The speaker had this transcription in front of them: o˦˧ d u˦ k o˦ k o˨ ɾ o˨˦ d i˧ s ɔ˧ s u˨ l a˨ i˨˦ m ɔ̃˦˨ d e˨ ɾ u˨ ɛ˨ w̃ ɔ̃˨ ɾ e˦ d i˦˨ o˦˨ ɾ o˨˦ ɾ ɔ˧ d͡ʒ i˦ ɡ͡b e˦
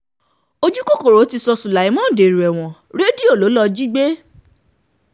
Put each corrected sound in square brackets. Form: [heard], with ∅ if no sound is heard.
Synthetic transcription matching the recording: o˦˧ [d͡ʒ] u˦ k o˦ k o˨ ɾ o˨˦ [t] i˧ s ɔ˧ s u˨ l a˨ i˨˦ m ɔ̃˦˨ d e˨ ɾ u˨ ɛ˨ w̃ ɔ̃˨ ɾ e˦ d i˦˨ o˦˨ [l] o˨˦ [l] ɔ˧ d͡ʒ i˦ ɡ͡b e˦